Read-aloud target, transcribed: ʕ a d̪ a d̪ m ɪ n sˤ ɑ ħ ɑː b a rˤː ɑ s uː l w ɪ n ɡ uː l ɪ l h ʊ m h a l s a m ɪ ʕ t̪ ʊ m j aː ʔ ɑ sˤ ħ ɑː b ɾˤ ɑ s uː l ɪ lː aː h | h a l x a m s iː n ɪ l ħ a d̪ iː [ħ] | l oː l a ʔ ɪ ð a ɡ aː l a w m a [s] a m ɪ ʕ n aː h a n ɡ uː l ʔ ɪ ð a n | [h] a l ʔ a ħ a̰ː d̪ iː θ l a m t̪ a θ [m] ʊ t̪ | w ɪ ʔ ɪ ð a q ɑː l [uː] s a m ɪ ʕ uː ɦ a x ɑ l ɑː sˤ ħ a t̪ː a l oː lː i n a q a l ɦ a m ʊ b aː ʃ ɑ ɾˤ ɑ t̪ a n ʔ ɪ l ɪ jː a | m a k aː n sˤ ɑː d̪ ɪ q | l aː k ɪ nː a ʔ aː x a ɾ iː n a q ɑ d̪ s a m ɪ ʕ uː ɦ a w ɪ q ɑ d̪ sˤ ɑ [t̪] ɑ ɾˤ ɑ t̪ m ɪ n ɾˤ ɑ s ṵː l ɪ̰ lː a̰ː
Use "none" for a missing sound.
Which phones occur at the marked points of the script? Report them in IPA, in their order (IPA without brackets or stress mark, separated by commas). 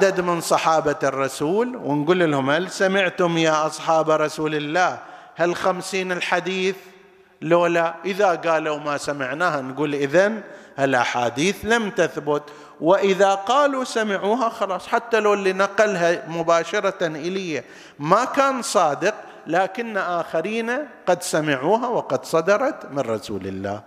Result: θ, s, h, b, u, d̪